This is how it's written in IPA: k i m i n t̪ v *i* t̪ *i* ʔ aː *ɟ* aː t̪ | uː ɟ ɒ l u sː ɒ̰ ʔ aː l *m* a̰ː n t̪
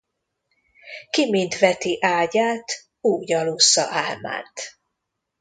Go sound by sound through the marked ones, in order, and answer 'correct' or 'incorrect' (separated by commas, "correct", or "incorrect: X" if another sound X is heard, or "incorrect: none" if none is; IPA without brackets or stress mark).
incorrect: ɛ, correct, correct, correct